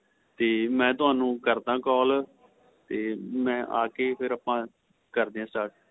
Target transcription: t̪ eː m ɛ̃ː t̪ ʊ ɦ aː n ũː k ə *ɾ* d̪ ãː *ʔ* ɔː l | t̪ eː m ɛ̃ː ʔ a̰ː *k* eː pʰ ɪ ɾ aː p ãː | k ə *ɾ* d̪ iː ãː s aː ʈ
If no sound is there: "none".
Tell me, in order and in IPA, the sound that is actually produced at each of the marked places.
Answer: ɾ, k, k, ɾ

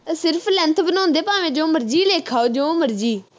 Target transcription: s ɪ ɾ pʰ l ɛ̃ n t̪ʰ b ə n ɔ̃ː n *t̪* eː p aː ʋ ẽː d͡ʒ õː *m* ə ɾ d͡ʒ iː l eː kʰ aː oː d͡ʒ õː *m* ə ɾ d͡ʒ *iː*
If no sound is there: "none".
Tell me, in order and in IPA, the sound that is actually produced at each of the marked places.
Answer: d̪, m, m, iː

